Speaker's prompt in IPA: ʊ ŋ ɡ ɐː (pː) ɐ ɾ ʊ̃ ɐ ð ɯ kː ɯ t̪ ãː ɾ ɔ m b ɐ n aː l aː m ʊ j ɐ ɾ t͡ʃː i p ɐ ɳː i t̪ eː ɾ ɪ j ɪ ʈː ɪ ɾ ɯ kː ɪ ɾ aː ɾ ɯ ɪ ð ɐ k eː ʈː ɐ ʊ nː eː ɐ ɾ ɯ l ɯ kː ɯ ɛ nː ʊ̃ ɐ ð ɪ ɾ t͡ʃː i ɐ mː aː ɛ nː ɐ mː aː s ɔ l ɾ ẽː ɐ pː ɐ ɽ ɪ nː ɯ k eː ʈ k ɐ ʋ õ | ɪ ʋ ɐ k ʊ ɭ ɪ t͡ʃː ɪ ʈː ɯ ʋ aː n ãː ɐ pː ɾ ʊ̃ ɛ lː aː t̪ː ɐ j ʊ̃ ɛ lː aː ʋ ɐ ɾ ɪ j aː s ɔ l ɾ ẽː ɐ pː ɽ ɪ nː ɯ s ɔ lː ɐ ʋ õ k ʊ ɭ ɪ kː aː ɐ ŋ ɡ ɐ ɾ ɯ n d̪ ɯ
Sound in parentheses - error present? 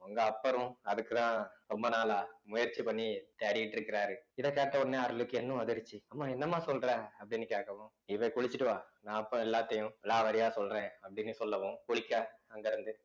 no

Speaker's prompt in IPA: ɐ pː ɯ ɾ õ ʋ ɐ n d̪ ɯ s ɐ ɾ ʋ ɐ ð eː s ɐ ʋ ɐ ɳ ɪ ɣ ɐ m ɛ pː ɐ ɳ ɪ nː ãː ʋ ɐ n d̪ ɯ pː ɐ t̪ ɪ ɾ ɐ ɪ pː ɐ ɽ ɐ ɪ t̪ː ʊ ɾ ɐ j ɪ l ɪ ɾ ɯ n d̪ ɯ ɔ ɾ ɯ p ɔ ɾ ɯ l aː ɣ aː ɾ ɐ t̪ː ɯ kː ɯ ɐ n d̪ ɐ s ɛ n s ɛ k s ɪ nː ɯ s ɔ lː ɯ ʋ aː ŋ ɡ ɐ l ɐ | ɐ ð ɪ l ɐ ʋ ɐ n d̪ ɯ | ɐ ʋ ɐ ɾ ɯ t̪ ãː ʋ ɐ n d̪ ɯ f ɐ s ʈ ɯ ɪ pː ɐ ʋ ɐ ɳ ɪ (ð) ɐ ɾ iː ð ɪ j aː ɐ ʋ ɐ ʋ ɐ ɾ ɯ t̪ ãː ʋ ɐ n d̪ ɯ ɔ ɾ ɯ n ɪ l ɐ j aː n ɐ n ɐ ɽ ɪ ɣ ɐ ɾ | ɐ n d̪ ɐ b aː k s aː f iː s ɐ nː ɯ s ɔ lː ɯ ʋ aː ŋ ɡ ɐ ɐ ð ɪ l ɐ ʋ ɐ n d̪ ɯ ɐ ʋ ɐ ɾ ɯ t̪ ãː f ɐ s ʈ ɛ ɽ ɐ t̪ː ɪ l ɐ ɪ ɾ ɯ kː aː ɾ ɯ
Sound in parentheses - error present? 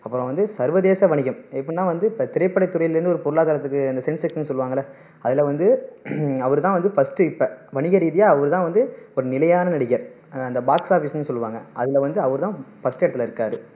yes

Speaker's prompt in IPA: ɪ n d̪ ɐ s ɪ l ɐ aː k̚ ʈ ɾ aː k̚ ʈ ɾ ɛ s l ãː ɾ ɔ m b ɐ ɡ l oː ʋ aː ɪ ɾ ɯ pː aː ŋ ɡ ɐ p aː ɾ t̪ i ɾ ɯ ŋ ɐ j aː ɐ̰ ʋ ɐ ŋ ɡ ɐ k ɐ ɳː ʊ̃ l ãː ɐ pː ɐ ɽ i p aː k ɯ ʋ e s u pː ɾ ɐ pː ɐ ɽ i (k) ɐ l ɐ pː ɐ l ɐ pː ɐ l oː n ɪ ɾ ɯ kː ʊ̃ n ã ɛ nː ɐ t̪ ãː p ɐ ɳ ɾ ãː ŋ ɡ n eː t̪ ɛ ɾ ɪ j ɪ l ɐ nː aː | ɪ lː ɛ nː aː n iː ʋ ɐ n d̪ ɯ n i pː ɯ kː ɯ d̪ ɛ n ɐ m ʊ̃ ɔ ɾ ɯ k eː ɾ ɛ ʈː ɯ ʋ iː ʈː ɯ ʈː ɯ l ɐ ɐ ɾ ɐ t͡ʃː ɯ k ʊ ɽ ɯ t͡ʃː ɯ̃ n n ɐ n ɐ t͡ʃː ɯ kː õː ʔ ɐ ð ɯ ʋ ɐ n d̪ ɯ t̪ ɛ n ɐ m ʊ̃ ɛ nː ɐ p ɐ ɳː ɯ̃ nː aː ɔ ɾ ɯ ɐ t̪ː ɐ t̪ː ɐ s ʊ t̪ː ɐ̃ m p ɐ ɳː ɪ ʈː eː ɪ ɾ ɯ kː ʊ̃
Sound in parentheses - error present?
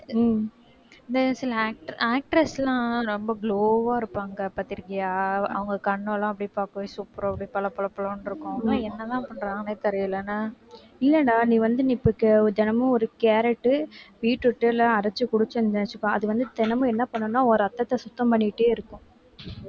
yes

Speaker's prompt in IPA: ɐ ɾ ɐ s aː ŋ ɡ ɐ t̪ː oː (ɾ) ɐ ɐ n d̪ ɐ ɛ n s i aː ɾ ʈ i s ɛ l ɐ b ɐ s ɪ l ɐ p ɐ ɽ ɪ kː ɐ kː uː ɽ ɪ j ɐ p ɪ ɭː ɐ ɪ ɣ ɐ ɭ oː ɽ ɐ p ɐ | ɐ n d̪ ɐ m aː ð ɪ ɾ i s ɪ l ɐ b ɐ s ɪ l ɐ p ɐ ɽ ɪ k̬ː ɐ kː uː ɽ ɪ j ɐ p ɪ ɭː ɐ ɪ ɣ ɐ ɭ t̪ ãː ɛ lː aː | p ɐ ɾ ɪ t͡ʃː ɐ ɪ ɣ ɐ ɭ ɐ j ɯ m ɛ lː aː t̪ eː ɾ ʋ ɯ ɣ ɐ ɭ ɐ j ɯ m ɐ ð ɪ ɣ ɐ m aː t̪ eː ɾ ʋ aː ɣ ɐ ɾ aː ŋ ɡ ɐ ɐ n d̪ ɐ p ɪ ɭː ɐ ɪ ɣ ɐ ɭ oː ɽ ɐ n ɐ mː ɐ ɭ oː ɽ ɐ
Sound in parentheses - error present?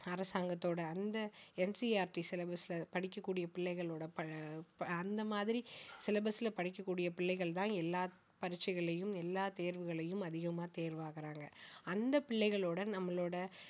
yes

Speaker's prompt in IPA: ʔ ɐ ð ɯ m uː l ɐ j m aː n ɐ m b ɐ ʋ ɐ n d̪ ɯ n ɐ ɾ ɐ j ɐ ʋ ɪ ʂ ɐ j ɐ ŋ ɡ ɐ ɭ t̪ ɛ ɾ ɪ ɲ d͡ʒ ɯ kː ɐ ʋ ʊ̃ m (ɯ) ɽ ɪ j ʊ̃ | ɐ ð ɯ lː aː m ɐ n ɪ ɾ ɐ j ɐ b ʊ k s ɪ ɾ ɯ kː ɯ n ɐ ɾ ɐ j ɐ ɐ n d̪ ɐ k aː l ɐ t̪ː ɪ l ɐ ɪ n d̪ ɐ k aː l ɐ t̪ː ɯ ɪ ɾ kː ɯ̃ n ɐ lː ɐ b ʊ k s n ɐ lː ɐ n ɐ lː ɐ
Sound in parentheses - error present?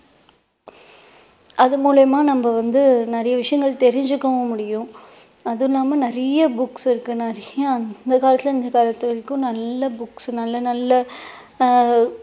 yes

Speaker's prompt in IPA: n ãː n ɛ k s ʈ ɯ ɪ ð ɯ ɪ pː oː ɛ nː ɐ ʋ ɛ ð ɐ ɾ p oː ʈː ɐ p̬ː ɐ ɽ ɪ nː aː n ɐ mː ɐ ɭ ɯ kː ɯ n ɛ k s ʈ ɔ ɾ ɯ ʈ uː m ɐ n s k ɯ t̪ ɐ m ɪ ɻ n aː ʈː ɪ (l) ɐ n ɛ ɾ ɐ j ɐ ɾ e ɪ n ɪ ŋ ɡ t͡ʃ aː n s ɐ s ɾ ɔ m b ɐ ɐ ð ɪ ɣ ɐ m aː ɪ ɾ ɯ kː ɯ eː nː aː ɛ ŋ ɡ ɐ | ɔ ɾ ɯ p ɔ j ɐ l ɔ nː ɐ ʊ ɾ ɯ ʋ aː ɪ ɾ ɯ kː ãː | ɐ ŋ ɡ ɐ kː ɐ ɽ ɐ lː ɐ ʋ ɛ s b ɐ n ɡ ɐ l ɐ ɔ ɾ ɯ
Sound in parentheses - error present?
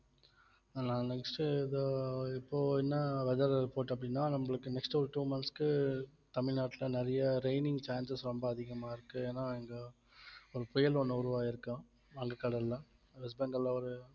no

